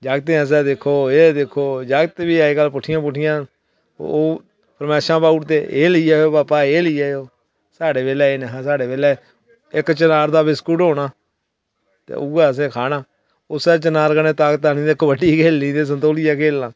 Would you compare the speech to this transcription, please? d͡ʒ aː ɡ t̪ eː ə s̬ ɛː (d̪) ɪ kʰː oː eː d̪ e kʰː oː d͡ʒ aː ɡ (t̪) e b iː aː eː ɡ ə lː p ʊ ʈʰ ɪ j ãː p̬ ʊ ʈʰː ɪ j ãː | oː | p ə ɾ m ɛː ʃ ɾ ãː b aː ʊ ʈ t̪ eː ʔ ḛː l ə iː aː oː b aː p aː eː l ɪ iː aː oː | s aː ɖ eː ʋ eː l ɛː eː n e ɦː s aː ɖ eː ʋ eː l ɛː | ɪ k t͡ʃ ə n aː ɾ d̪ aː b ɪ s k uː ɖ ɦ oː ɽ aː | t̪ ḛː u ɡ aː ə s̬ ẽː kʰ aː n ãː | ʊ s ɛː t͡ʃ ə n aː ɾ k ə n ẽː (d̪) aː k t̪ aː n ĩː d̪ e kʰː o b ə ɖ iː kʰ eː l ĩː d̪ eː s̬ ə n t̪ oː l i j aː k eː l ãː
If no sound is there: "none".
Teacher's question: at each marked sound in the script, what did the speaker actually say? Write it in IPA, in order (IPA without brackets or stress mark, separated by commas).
d̪, t̪, t̪